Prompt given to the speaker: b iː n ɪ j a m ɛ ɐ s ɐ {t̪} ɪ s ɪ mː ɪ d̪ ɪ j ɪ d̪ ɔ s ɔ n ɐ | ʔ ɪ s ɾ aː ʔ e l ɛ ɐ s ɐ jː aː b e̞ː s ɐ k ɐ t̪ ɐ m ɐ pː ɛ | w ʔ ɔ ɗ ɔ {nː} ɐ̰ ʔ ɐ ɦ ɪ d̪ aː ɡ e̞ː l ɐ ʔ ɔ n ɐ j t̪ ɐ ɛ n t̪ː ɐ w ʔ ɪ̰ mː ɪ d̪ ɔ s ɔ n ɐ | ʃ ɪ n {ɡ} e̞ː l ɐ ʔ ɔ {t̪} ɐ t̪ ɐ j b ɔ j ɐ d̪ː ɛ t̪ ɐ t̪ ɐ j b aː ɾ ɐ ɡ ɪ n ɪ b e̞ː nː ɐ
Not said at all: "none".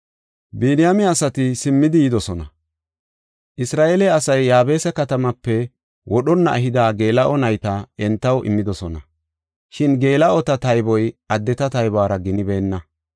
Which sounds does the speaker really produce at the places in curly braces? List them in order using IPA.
t̪, nː, ɡ, t̪

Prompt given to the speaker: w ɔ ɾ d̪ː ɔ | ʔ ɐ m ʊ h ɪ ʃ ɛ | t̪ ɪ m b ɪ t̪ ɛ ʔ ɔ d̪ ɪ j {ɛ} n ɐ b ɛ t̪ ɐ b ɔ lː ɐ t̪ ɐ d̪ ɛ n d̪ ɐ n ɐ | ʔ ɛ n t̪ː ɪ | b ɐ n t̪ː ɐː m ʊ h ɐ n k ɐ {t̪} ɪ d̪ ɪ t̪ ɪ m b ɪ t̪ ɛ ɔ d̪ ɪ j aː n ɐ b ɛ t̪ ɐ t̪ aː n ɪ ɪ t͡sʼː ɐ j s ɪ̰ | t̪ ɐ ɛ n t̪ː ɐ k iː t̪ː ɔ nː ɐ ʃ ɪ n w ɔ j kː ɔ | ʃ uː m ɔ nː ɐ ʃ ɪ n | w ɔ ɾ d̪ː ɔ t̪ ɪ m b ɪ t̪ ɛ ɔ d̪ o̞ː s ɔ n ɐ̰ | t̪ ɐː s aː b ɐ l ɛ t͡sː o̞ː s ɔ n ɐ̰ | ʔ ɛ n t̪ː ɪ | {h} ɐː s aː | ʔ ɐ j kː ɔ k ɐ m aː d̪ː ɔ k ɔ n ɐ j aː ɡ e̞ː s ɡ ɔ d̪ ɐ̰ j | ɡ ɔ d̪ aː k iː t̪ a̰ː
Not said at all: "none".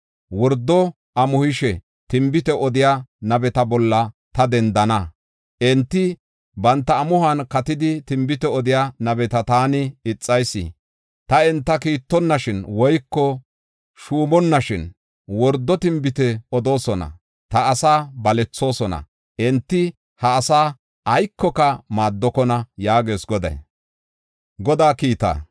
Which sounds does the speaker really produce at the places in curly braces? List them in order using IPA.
a, t̪, h

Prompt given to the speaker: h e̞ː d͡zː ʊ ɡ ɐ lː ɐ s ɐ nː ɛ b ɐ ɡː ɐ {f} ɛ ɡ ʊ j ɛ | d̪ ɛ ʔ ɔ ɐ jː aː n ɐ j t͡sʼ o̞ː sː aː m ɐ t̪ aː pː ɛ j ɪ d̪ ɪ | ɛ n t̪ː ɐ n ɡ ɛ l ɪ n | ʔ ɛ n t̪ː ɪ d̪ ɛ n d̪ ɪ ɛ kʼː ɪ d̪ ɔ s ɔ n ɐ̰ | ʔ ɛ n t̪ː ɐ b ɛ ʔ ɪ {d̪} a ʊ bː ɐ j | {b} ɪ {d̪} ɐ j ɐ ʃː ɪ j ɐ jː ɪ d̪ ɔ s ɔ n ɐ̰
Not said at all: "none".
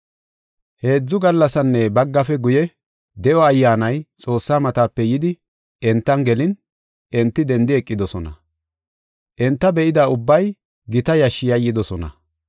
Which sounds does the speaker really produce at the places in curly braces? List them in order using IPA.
f, d̪, ɡ, t̪

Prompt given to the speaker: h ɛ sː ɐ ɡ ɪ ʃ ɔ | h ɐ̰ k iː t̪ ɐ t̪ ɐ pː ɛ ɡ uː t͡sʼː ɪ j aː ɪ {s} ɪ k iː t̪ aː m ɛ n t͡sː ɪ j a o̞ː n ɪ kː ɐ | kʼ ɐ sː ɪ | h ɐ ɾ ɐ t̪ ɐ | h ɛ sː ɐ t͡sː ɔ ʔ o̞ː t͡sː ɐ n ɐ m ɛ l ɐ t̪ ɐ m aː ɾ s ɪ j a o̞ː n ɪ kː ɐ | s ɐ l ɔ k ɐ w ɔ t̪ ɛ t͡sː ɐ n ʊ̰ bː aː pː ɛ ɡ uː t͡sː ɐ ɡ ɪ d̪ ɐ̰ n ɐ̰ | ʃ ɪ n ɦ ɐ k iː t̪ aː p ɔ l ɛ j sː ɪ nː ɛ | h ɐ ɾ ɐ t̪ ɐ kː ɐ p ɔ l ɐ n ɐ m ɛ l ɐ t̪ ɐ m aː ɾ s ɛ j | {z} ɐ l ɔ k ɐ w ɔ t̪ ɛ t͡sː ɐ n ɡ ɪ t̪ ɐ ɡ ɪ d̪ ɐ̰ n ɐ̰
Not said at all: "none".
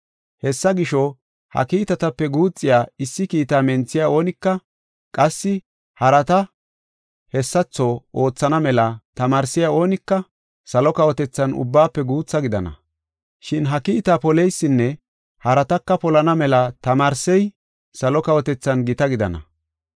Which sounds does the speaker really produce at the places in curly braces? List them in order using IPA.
sː, s

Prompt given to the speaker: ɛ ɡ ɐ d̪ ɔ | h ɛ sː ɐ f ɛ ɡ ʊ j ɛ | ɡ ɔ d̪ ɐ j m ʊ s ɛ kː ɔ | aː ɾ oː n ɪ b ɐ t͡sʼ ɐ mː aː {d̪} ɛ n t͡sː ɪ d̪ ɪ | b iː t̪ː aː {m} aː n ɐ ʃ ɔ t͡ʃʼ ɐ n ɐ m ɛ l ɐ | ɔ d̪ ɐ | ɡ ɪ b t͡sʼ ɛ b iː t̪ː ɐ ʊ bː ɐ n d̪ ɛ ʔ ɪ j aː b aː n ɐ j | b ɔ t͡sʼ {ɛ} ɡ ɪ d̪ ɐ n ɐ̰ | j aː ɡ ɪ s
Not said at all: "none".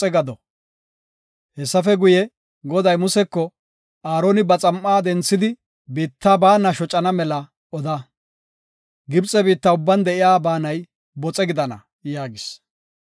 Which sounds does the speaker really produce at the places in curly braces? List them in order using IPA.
d̪, b, ɛ

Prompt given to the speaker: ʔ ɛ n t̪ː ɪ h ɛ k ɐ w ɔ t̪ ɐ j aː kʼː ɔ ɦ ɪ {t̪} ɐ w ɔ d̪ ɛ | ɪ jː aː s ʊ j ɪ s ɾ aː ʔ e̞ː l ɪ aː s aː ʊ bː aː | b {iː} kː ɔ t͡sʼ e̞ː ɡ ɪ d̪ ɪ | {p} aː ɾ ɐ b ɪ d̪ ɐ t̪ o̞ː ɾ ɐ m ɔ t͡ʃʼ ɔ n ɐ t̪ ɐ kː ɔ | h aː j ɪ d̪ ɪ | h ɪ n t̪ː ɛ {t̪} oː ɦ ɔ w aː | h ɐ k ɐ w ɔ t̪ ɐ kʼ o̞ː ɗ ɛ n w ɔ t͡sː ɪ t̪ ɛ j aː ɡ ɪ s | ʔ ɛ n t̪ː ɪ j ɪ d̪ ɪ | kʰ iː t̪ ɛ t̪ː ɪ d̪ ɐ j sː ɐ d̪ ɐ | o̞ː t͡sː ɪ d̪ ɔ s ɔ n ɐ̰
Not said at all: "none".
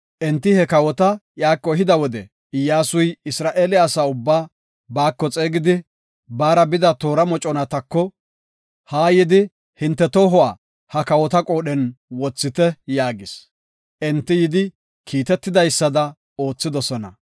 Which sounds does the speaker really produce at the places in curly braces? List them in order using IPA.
d̪, aː, b, t̪

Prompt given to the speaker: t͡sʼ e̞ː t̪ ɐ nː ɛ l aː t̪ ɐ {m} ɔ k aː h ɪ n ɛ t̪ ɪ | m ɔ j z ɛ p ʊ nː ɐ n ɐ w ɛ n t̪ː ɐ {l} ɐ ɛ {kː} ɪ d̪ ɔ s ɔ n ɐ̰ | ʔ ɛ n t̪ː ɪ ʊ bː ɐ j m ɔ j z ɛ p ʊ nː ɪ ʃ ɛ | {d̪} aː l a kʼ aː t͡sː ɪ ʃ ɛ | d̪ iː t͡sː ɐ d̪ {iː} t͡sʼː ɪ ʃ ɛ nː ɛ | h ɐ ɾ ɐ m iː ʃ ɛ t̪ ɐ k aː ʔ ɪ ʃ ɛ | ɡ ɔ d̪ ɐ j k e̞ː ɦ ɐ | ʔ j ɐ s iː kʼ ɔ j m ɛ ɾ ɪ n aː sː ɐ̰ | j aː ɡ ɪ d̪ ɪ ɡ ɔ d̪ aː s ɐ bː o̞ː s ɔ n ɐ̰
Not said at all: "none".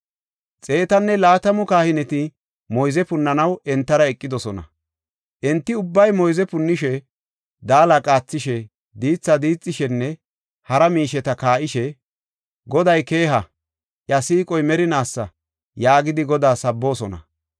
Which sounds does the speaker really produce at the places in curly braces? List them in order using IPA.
m, ɾ, kʼː, d̪, iː

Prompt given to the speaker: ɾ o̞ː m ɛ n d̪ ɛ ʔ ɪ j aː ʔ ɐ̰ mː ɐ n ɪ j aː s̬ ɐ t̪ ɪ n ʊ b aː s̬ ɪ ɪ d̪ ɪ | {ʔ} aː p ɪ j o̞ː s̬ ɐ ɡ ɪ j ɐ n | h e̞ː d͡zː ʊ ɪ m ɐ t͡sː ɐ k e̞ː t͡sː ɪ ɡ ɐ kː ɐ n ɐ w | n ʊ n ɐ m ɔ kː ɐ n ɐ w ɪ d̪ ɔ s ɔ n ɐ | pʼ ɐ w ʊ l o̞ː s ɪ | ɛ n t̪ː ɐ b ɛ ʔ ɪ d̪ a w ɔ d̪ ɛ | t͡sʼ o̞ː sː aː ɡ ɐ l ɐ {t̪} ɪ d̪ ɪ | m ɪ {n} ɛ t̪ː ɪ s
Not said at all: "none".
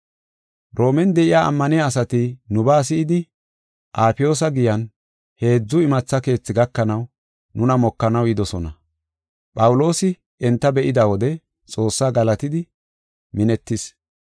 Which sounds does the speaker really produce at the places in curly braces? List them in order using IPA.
ʔ, t̪, n

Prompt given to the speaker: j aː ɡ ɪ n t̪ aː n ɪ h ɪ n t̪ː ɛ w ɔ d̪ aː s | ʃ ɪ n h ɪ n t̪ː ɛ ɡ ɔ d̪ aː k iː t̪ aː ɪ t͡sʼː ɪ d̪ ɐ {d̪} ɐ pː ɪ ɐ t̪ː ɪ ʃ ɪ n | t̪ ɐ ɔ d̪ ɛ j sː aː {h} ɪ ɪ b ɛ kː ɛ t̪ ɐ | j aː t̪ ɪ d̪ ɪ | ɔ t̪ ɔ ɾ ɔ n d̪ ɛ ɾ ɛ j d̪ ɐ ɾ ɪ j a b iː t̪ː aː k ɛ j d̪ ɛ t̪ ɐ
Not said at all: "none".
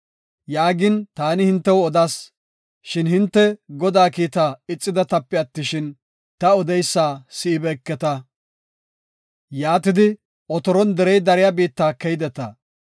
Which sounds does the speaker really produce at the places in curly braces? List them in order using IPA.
t̪, s

